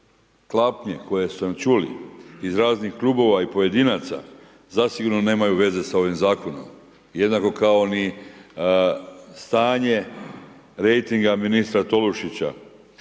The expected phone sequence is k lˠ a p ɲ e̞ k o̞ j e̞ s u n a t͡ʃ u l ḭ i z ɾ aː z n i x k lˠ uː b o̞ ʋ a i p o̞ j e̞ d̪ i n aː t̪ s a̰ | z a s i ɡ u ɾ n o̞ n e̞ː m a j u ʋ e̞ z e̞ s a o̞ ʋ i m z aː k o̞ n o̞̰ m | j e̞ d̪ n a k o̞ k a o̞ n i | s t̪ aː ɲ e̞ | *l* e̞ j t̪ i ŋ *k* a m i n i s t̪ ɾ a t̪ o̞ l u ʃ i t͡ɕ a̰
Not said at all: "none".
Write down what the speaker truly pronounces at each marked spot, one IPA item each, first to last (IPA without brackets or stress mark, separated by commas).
ɾ, ɡ